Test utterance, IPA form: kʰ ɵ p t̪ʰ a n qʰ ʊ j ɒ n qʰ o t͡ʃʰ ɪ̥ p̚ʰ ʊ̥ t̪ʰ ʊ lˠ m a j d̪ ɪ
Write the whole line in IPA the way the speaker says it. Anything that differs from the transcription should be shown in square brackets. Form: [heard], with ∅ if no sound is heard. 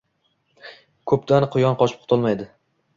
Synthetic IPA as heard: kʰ ɵ p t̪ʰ a n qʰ ʊ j ɒ n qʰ [ɒ] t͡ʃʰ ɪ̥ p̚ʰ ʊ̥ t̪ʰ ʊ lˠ m a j d̪ ɪ